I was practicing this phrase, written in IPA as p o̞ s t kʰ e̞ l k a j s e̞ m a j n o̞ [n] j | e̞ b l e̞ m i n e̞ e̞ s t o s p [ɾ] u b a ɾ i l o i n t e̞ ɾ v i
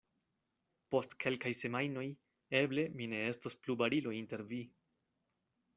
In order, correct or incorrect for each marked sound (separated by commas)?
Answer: incorrect, incorrect